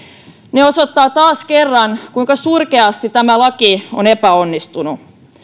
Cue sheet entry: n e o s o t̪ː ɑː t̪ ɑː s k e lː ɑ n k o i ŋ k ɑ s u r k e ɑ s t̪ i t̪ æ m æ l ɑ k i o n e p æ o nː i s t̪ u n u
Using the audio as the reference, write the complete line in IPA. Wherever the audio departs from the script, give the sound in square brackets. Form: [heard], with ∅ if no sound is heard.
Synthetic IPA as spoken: n e o s o t̪ː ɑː t̪ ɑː s k e [rː] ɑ n k [u] i ŋ k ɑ s u r k e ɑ s t̪ i t̪ æ m æ l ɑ k i o n e p æ o nː i s t̪ u n u